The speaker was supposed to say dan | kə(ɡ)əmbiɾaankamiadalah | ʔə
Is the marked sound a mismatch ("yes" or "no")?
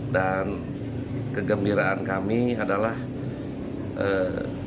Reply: no